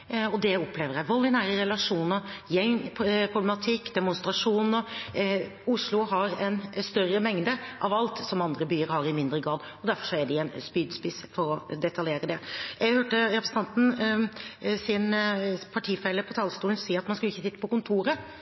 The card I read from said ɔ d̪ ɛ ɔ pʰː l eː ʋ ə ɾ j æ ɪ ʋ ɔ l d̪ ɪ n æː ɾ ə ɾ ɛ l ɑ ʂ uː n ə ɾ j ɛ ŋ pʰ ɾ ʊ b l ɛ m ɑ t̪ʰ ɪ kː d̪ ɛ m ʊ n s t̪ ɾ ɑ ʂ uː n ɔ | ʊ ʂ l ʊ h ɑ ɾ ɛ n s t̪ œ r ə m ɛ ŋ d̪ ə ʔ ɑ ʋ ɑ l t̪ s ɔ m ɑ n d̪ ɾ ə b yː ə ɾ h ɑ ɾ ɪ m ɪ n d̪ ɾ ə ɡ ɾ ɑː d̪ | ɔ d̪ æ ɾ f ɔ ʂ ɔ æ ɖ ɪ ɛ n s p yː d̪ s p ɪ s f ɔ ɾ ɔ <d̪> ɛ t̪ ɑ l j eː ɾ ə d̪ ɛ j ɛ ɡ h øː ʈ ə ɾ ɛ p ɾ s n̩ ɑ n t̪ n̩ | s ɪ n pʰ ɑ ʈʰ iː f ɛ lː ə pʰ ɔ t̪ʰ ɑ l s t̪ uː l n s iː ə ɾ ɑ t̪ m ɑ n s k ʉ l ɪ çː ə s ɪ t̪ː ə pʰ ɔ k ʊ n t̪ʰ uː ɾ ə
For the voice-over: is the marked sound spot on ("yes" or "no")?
yes